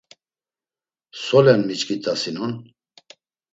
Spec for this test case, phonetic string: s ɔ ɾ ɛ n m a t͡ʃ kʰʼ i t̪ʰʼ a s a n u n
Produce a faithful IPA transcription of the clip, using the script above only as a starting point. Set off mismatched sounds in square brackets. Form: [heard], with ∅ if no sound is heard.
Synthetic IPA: s ɔ [l] ɛ n m [i] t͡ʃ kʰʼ i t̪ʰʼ a s [i] n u n